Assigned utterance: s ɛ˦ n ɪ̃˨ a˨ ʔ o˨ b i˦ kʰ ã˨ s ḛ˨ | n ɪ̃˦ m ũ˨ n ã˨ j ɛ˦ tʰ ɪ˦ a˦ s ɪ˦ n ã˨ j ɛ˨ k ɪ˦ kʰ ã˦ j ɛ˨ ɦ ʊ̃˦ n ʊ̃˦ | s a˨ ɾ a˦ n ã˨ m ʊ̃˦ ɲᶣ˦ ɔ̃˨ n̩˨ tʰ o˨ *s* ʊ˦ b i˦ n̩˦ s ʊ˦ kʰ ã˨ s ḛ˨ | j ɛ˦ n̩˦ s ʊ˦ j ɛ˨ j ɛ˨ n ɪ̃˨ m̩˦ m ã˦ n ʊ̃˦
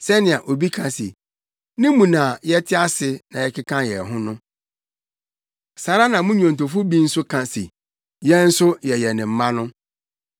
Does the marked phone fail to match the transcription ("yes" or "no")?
yes